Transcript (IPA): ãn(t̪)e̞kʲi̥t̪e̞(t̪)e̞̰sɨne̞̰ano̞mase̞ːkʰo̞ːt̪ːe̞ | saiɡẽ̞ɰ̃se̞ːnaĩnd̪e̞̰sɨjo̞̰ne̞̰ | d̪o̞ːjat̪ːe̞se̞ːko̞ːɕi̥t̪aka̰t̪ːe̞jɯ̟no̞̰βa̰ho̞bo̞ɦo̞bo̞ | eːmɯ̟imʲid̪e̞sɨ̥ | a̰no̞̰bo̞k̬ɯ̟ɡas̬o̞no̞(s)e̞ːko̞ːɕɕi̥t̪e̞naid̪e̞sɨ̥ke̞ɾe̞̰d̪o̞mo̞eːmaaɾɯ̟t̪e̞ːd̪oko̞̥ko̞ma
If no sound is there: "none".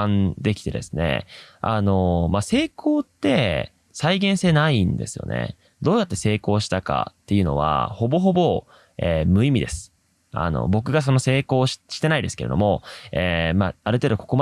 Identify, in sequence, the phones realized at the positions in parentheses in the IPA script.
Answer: d̪, d̪, s

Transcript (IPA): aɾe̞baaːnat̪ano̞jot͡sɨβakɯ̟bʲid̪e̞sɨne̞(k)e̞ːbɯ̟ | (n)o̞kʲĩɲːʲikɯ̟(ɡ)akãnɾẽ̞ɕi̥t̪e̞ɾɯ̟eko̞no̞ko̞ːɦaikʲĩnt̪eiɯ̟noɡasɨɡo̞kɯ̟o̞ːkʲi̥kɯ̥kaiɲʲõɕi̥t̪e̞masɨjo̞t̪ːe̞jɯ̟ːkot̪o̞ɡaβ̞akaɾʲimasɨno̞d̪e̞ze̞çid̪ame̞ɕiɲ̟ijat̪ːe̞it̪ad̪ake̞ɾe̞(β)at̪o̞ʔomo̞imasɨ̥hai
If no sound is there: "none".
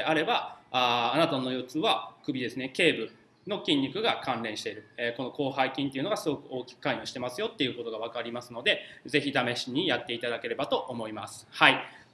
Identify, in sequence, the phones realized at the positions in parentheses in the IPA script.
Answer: k, n, ɡ, b

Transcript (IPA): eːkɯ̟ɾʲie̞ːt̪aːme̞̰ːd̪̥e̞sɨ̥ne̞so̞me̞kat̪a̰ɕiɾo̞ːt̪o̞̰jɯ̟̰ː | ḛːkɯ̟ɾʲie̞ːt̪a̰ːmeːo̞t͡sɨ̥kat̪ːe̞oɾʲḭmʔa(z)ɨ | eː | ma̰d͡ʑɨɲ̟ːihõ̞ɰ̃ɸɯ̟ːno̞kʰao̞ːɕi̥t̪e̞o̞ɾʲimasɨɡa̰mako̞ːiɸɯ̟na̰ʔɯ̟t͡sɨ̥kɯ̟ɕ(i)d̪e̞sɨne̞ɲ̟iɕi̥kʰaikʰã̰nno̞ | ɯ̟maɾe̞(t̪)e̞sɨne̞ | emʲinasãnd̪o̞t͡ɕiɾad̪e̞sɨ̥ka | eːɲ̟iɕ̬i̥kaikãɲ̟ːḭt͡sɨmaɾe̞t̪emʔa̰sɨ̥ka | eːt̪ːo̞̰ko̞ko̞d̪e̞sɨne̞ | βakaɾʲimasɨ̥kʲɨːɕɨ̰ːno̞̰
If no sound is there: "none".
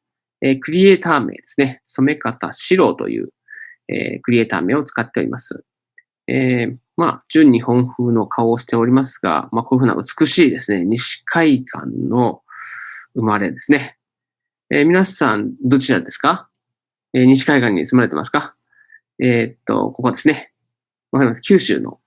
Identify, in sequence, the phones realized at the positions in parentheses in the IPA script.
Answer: s, iː, d̪

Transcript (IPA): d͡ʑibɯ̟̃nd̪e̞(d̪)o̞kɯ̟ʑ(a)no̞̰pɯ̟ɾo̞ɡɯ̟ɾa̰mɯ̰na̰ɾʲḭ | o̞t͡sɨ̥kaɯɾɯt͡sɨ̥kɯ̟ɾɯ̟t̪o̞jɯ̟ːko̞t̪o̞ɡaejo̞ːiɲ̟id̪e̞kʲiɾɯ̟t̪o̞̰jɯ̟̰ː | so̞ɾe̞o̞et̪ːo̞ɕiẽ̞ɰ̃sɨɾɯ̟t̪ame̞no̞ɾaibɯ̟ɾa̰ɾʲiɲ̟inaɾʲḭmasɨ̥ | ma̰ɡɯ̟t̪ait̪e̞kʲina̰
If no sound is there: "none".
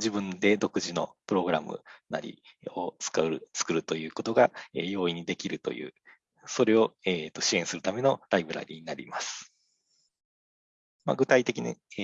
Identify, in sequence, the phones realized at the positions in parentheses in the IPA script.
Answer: d̪, i

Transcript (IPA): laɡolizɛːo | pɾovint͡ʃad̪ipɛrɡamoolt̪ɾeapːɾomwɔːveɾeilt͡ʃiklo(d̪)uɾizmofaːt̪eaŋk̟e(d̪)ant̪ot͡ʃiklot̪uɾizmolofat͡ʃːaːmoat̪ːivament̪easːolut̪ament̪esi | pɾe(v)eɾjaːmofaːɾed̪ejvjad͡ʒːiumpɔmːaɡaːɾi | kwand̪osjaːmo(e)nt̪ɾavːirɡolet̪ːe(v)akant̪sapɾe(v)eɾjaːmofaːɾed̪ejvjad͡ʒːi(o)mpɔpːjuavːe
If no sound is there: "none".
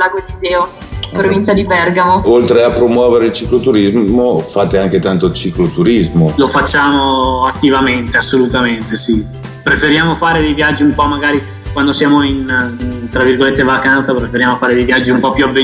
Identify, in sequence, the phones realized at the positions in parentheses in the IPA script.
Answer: t̪, t̪, f, i, v, f, u

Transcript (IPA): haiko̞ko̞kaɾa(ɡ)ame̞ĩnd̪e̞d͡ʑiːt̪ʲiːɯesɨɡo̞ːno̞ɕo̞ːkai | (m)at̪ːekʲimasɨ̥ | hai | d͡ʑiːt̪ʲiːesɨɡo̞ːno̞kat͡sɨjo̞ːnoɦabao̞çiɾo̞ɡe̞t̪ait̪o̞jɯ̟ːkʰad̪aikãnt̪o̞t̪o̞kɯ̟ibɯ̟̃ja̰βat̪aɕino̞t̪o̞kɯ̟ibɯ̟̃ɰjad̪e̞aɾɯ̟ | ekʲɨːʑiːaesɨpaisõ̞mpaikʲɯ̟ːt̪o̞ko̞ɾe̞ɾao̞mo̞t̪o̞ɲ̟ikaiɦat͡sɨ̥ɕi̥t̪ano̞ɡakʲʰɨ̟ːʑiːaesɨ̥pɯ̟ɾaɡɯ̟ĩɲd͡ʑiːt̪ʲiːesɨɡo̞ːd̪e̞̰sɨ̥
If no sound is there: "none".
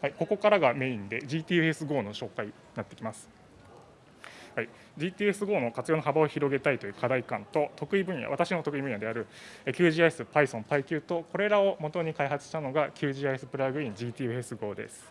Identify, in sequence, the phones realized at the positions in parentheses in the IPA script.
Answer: ɡ, n

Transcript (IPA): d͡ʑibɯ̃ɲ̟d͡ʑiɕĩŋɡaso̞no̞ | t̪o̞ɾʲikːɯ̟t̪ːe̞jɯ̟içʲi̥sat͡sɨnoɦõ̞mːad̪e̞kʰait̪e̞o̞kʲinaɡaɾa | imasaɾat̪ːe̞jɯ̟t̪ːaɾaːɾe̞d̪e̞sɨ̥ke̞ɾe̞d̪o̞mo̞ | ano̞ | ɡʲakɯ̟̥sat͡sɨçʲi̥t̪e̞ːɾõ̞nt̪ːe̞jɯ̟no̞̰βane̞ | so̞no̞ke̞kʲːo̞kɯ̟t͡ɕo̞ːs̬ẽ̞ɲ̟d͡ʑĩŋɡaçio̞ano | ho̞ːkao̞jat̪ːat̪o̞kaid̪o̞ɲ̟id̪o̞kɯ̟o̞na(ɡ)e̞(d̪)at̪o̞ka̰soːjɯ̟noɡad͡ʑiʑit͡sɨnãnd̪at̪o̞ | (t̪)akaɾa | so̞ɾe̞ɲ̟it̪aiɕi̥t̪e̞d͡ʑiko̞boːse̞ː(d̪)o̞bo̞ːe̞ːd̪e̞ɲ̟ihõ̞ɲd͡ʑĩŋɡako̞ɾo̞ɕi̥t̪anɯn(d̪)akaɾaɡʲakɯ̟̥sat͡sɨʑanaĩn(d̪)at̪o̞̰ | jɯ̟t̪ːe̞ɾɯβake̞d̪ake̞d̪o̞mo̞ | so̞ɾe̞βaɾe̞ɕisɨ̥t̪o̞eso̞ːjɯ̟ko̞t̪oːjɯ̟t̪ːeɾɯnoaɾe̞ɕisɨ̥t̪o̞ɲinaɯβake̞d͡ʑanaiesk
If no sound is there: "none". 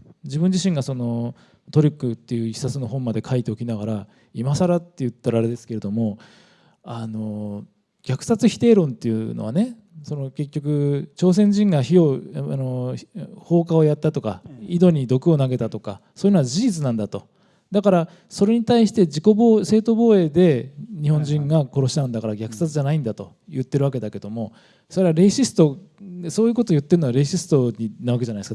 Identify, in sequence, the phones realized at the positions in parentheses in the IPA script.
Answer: ɡ, t̪, d̪, t̪, d̪, d̪

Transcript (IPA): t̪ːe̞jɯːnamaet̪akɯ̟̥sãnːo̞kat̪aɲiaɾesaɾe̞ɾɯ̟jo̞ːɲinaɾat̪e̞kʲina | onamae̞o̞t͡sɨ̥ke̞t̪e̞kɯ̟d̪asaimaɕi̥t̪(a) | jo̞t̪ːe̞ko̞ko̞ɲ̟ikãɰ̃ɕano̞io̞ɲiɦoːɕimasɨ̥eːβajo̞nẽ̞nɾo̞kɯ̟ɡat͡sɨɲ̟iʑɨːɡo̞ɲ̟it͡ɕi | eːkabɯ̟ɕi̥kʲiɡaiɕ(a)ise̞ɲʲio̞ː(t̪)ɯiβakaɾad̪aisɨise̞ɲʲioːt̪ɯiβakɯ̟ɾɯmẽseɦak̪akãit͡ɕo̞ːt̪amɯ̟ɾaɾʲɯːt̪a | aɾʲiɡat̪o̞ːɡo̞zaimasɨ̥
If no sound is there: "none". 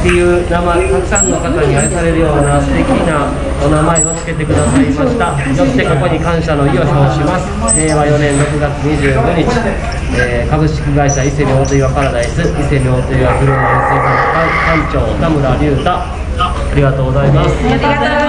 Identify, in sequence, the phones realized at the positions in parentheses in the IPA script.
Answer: a, a, t̪

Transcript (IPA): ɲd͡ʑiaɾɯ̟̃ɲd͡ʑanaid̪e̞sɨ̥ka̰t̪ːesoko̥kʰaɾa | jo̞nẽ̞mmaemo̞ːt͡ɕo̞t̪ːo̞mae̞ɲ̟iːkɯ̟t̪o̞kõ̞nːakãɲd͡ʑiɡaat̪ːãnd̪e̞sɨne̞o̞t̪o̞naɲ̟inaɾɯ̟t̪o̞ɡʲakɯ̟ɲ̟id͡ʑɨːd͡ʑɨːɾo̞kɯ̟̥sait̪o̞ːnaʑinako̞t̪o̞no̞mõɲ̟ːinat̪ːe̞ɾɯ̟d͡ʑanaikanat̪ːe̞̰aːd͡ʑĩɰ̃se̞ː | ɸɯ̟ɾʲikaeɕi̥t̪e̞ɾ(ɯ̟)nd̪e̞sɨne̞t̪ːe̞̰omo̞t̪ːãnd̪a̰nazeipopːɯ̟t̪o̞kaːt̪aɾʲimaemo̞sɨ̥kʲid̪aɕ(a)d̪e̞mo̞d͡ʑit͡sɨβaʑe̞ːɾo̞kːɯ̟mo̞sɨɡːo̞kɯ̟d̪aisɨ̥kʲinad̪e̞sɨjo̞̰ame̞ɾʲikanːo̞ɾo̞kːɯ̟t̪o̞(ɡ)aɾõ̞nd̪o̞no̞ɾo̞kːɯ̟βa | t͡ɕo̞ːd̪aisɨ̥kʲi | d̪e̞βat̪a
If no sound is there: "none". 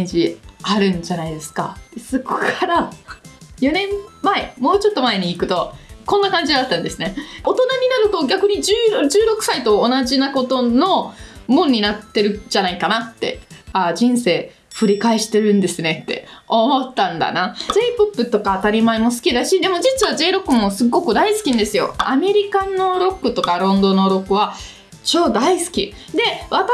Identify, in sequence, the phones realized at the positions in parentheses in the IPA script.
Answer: ɯ̟̃, i, k

